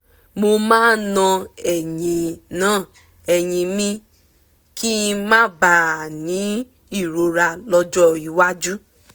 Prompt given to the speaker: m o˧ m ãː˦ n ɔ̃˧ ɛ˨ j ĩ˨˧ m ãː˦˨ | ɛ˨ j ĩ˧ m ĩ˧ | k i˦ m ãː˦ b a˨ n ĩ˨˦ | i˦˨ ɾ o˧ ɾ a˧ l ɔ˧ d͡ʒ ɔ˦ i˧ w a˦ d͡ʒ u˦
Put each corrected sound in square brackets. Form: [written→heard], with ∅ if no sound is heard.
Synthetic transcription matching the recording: m o˧ m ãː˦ n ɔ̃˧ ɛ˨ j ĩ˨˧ [m→n] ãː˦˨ | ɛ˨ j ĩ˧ m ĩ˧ | k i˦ m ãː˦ b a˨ n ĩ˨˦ | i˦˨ ɾ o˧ ɾ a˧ l ɔ˧ d͡ʒ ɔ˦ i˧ w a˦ d͡ʒ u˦

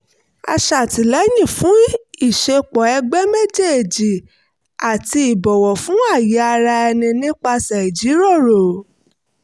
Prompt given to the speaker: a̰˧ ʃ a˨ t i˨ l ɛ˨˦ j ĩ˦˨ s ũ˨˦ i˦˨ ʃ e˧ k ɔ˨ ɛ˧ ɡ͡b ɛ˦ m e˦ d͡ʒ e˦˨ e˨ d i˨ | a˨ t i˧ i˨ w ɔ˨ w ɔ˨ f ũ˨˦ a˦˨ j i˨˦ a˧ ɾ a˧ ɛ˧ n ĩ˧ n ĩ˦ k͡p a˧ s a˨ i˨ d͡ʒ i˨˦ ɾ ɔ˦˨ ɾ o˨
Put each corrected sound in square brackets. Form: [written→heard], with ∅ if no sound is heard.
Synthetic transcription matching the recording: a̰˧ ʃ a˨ t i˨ l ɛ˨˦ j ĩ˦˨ [s→f] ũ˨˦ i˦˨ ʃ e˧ [k→k͡p] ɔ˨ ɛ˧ ɡ͡b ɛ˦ m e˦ d͡ʒ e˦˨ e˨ [d→d͡ʒ] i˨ | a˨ t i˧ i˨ [w→b] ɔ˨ w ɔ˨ f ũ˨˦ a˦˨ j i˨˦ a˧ ɾ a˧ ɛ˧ n ĩ˧ n ĩ˦ k͡p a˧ s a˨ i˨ d͡ʒ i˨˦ ɾ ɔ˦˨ ɾ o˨

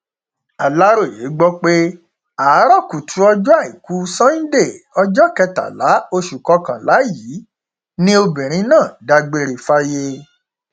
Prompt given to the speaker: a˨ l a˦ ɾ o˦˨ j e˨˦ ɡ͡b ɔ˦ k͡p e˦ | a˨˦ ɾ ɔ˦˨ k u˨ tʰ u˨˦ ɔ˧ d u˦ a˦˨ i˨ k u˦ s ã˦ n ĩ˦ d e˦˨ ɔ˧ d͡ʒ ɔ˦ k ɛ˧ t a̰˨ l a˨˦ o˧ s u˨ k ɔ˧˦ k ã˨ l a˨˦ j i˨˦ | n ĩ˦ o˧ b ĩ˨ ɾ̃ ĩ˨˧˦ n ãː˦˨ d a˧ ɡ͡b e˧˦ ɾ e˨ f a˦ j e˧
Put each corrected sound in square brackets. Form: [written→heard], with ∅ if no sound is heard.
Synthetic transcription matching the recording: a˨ l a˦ ɾ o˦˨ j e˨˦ ɡ͡b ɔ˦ k͡p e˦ | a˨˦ ɾ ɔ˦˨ k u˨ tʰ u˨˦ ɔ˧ [d→d͡ʒ] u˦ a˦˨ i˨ k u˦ s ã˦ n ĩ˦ d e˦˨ ɔ˧ d͡ʒ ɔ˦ k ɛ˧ t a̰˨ l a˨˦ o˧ [s→ʃ] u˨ k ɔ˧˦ k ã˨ l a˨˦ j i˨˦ | n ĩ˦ o˧ b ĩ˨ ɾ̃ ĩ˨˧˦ n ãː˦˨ d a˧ ɡ͡b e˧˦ ɾ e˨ f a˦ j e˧

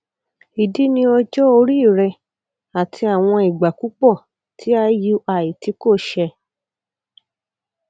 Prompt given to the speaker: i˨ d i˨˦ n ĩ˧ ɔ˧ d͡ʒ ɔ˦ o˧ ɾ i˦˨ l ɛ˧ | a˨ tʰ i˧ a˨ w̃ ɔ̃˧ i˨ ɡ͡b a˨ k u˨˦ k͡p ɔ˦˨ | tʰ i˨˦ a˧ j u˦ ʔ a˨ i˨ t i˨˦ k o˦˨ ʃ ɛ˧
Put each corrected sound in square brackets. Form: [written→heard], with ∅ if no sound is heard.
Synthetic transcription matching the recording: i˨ d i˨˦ n ĩ˧ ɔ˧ d͡ʒ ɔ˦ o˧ ɾ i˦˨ [l→ɾ] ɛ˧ | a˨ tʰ i˧ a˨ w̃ ɔ̃˧ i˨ ɡ͡b a˨ k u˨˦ k͡p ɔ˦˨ | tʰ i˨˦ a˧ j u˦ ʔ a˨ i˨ t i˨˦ k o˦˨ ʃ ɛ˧

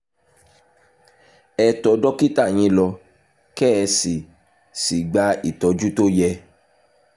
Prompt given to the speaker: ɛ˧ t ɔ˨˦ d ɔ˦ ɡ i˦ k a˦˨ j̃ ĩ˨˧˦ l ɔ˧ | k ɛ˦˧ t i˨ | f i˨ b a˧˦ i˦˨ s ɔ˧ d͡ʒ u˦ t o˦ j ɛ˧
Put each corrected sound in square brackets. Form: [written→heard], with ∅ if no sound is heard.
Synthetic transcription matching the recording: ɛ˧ t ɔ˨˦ d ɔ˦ [ɡ→k] i˦ [k→t] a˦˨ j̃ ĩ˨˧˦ l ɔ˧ | k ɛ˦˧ [t→s] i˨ | [f→s] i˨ [b→ɡ͡b] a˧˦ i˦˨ [s→t] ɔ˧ d͡ʒ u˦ t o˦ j ɛ˧

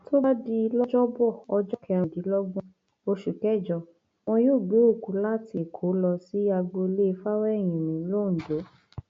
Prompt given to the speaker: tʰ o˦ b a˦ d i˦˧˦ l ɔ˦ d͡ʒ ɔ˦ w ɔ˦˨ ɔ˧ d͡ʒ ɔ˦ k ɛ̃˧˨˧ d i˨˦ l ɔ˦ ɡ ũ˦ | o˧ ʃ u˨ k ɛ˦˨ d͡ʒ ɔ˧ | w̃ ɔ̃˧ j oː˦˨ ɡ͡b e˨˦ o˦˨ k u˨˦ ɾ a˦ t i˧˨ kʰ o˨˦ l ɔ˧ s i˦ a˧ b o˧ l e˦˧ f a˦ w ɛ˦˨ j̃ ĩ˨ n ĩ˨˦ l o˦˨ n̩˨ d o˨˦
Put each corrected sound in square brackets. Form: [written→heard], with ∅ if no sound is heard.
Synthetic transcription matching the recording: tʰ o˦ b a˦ d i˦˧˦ l ɔ˦ d͡ʒ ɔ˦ [w→b] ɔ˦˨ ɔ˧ d͡ʒ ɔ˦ k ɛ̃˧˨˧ d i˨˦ l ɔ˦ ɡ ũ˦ | o˧ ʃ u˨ k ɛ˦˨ d͡ʒ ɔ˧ | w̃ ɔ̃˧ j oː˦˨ ɡ͡b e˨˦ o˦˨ k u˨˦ [ɾ→l] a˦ t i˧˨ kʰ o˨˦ l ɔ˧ s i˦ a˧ [b→ɡ͡b] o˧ l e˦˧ f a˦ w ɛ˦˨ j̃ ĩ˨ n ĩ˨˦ l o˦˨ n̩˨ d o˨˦

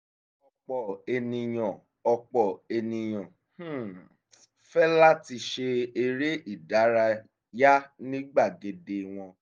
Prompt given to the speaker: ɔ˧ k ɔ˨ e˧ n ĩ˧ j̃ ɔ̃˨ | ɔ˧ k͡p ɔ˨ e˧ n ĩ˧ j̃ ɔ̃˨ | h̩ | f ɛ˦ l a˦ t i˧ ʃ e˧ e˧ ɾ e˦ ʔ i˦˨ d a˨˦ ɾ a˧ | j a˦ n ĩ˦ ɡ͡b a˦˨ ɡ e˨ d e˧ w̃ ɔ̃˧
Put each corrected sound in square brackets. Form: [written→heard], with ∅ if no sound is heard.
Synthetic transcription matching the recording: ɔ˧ [k→k͡p] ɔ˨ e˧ n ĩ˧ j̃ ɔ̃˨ | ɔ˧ k͡p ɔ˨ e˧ n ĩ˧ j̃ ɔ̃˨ | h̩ | f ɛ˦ l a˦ t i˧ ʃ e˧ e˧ ɾ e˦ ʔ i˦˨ d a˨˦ ɾ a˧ | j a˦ n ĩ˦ ɡ͡b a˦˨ ɡ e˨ d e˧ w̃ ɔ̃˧

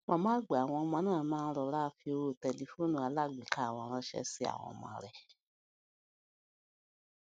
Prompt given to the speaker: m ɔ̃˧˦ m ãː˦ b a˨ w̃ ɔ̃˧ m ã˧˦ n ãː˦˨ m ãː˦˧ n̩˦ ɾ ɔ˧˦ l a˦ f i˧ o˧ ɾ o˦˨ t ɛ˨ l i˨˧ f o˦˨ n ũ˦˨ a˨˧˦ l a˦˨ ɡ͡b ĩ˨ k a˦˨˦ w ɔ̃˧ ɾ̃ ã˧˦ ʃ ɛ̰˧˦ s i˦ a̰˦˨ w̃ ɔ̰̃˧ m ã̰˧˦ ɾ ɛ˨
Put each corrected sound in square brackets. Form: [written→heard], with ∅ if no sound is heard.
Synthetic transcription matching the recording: m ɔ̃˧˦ m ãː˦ [b→ɡ͡b] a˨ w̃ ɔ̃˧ m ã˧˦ n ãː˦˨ m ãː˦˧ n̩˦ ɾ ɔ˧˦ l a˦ f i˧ o˧ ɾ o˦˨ t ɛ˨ l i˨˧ f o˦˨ n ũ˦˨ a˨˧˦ l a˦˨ ɡ͡b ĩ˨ k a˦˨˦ w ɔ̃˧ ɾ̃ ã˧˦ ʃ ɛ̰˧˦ s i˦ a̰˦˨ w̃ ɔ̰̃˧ m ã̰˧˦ ɾ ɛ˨

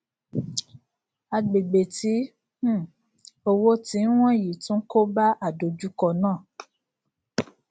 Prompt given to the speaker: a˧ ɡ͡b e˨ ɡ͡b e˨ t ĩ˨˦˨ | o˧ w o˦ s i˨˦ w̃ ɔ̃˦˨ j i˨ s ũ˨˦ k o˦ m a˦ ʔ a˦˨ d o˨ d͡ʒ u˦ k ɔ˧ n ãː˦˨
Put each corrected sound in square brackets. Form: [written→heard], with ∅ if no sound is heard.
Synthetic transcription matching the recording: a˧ ɡ͡b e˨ ɡ͡b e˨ t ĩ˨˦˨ | o˧ w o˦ [s→t] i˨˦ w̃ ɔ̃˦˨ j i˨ [s→t] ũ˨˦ k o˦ [m→b] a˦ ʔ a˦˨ d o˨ d͡ʒ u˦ k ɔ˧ n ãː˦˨

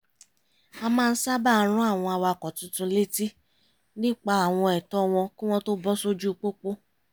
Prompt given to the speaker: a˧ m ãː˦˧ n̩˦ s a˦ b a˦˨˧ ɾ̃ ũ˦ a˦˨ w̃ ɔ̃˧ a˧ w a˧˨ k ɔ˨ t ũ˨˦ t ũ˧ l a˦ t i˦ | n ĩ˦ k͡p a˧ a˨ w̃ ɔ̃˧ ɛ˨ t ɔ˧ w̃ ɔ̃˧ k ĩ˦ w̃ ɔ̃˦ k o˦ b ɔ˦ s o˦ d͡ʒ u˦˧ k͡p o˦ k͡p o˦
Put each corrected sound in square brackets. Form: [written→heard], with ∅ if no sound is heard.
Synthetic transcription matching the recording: a˧ m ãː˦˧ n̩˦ s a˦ b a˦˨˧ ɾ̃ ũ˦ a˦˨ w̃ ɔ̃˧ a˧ w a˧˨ k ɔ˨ t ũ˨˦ t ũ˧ l [a˦→e˦] t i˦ | n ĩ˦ k͡p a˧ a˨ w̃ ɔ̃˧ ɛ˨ t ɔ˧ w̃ ɔ̃˧ k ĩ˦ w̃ ɔ̃˦ [k→t] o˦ b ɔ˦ s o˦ d͡ʒ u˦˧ k͡p o˦ k͡p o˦

